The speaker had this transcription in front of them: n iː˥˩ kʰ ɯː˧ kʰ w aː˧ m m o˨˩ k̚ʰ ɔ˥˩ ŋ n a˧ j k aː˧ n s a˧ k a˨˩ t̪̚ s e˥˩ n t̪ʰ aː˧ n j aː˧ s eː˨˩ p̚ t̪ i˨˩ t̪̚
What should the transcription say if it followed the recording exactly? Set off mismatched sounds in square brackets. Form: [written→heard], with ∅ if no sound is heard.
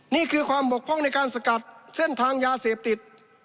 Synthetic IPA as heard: n iː˥˩ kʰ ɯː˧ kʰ w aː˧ m [m→b] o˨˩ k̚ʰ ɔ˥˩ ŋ n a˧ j k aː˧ n s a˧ k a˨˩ t̪̚ s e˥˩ n t̪ʰ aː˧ [n→ŋ] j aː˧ s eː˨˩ p̚ t̪ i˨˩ t̪̚